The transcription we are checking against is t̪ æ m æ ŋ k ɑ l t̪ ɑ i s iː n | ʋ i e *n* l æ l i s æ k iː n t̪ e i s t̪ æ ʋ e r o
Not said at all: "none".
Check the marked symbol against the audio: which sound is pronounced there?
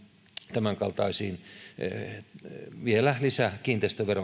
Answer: none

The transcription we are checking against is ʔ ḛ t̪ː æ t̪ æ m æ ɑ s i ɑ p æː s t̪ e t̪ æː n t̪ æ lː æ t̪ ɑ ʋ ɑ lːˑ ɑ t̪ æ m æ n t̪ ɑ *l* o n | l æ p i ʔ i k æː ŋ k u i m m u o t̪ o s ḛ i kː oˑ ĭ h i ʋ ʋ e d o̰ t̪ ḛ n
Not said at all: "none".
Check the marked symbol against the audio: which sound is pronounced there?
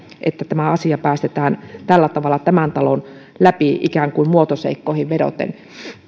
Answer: l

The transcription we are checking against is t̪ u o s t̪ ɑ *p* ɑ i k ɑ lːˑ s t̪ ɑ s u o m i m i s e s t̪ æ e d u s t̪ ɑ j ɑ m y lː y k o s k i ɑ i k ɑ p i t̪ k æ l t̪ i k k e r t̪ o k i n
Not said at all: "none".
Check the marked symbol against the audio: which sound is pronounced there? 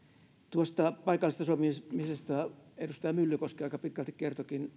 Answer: p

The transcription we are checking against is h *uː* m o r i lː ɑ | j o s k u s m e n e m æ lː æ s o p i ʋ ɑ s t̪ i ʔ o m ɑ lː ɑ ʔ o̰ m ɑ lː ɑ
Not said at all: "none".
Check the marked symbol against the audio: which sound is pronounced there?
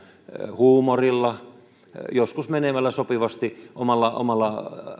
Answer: uː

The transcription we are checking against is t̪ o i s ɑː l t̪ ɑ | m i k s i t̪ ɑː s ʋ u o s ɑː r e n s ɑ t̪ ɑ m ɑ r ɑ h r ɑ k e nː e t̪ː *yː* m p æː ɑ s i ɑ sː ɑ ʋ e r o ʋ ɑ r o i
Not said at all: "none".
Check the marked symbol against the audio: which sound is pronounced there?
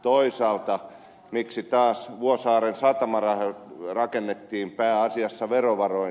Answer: iː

